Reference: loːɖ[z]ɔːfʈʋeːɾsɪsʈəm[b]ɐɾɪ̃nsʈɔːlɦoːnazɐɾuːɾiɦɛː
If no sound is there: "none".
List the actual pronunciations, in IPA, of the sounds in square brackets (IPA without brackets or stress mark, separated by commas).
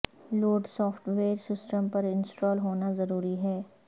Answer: s, p